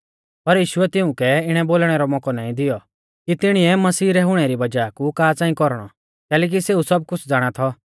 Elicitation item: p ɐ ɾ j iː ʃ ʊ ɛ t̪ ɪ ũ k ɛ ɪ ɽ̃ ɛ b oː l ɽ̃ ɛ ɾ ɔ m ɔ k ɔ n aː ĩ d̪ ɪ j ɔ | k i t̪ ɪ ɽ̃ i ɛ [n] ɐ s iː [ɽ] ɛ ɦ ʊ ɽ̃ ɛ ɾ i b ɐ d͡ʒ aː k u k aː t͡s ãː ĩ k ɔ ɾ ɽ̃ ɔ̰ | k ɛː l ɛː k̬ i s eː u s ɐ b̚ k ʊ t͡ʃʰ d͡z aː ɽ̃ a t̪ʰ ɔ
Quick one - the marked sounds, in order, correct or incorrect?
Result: incorrect: m, incorrect: ɾ

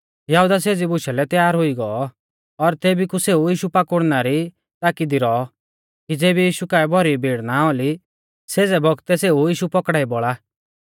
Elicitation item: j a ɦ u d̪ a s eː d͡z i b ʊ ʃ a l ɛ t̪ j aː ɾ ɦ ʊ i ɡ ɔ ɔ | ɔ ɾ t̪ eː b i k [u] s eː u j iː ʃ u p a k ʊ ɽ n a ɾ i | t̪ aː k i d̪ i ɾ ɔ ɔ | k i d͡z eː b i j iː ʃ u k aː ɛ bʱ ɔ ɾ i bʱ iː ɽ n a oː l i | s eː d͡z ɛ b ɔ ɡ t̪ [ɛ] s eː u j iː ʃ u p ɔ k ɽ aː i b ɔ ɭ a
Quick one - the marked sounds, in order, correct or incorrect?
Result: correct, correct

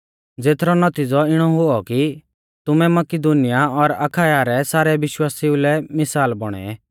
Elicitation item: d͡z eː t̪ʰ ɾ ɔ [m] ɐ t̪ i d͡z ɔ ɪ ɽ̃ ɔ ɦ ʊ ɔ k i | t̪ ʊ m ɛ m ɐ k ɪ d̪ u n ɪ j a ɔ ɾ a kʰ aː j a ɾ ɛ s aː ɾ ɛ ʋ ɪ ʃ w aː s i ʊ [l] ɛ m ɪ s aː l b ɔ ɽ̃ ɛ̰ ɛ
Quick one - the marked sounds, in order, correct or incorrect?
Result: incorrect: n, correct

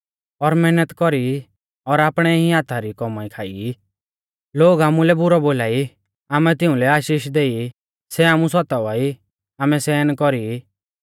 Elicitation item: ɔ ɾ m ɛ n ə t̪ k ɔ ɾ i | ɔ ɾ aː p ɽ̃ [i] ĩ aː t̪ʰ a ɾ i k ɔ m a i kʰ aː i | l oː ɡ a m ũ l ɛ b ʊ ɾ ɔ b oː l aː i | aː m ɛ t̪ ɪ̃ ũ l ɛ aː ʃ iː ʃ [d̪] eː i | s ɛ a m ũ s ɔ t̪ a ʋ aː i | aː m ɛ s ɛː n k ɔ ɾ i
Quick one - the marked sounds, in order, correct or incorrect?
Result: incorrect: ɛ, correct

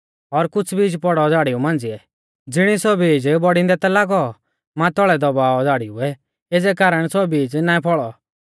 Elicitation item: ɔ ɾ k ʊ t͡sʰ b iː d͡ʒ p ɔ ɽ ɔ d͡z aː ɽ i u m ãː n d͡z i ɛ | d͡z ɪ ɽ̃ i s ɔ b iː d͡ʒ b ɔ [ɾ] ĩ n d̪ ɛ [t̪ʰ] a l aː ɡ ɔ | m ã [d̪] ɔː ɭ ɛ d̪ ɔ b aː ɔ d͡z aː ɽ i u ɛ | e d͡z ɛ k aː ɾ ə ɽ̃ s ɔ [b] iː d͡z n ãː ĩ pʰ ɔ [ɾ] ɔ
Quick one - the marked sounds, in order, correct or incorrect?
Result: incorrect: ɽ, incorrect: t̪, incorrect: t̪, correct, incorrect: ɭ

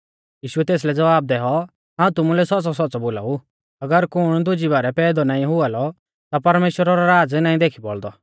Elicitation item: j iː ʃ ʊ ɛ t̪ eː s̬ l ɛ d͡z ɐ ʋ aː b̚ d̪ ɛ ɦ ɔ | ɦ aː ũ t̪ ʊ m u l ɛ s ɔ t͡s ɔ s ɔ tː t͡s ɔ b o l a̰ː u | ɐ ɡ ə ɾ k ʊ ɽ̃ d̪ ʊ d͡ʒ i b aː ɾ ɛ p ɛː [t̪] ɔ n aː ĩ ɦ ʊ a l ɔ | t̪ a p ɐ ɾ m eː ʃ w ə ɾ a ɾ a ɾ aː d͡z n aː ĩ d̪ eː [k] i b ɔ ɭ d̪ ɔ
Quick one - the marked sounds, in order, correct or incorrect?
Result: incorrect: d̪, incorrect: kʰ

